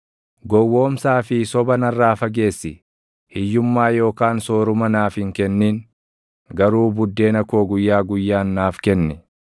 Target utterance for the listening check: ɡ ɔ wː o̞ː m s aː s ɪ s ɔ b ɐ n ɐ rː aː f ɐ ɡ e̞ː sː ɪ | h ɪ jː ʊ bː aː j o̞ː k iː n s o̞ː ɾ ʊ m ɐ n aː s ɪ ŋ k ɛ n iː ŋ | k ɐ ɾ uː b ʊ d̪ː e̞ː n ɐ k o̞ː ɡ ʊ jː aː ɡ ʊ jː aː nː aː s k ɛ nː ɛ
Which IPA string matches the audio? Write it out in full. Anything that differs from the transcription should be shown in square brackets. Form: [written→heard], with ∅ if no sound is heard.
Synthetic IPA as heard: ɡ ɔ wː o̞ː m s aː [s→f] ɪ s ɔ b ɐ n ɐ rː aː f ɐ ɡ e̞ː sː ɪ | h ɪ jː ʊ [bː→mː] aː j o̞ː k [iː→aː] n s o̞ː ɾ ʊ m ɐ n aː [s→f] ɪ ŋ k ɛ [n→nː] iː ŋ | [k→ɡ] ɐ ɾ uː b ʊ d̪ː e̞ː n ɐ k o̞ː ɡ ʊ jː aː ɡ ʊ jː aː nː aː [s→f] k ɛ nː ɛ